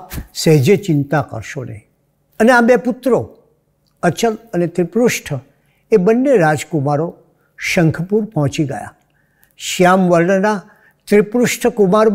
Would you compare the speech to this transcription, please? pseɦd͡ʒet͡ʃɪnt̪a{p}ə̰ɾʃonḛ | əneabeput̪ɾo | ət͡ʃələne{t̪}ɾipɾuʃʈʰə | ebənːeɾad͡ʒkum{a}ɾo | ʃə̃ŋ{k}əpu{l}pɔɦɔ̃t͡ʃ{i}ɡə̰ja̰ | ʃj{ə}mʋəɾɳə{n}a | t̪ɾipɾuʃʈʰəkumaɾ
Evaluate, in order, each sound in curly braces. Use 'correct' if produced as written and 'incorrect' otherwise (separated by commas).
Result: incorrect, correct, correct, incorrect, incorrect, correct, incorrect, correct